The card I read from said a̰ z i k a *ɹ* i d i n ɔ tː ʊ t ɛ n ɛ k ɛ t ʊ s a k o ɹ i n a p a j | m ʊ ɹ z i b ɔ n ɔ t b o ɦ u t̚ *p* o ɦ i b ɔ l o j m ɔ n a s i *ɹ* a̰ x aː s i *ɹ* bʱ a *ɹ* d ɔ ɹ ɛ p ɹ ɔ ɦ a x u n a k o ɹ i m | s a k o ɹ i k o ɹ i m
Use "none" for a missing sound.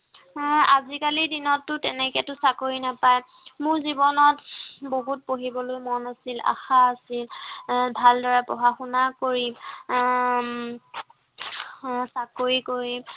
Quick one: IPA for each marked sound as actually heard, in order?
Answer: l, p, l, l, l

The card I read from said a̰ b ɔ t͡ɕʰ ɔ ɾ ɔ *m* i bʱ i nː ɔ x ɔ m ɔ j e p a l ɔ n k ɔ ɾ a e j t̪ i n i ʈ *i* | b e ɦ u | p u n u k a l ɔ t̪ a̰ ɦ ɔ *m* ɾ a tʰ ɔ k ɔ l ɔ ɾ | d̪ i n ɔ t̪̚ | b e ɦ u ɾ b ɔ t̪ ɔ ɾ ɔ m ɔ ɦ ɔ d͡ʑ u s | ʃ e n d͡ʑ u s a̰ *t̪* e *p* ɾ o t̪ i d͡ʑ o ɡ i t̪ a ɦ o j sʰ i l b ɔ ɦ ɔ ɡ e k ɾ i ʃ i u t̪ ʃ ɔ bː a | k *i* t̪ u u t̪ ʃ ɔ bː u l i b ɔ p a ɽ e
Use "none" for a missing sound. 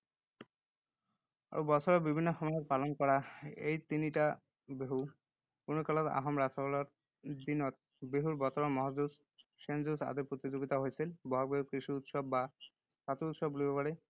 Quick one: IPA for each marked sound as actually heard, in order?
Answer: b, a, m, d̪, p, a

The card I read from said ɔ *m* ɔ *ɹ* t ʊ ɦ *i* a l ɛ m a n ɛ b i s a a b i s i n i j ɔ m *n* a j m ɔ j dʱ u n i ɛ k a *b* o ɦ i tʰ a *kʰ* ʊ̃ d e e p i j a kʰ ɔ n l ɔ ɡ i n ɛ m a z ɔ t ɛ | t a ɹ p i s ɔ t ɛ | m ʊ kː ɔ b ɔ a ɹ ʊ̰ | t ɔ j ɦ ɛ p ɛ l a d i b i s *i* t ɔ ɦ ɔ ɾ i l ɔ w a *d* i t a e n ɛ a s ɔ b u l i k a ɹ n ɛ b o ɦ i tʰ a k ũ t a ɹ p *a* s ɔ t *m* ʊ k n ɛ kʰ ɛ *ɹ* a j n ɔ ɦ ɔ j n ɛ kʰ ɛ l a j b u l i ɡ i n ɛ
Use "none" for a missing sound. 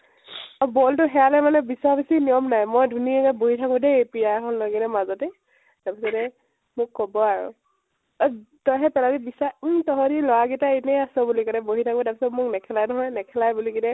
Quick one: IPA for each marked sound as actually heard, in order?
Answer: b, l, ɛ, n, b, k, a, ɡ, i, m, l

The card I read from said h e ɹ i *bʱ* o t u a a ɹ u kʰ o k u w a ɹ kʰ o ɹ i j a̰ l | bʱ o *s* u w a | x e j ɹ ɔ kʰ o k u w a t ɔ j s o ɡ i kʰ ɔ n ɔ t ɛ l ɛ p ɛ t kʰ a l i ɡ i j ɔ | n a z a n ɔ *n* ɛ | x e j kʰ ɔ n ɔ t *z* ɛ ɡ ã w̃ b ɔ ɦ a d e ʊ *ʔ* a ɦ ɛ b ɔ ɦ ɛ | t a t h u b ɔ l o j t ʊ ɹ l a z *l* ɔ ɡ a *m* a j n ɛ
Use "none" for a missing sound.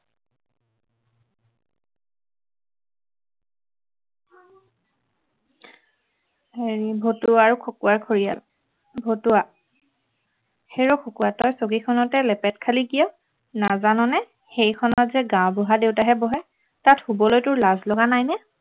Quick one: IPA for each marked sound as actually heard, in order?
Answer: bʱ, t, n, z, t, l, n

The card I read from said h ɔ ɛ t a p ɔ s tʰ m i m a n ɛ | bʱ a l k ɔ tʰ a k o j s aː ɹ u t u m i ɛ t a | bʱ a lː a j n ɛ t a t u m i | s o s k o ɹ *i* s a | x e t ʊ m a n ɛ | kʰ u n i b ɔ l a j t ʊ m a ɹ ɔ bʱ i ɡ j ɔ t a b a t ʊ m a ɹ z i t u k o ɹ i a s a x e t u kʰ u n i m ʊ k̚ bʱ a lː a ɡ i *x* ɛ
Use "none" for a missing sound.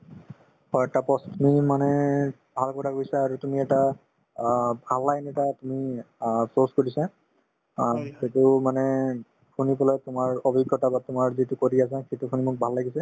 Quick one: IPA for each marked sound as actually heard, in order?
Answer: i, s

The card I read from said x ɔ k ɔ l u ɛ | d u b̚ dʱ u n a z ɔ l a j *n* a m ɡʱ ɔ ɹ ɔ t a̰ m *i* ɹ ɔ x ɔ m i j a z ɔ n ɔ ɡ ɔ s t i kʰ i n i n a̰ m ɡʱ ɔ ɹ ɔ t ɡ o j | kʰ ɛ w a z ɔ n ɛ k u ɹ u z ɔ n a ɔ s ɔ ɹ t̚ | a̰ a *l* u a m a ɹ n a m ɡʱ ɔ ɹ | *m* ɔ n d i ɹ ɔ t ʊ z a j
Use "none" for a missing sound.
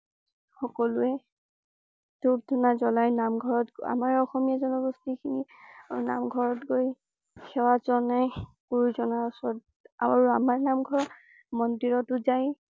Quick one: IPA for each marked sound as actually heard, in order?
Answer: n, a, ɹ, m

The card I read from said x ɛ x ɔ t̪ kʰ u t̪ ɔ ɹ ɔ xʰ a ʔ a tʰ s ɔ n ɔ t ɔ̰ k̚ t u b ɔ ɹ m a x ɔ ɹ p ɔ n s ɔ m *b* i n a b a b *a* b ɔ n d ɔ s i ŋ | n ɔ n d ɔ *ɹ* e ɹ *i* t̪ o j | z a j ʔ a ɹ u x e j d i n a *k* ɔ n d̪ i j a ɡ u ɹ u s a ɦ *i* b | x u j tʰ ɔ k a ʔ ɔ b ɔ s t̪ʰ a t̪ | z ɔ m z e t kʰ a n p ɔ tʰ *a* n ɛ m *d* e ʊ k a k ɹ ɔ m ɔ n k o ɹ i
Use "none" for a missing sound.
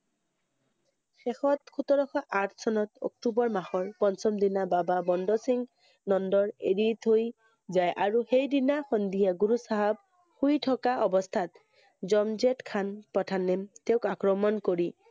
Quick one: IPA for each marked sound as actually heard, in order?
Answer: d, a, ɹ, i, x, a, a, t

